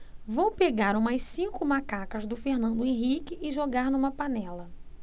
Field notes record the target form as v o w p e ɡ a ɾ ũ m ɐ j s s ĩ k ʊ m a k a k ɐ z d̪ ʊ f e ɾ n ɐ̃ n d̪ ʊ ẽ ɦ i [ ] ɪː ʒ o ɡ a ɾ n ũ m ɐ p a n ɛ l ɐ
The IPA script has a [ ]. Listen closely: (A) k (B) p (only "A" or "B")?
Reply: A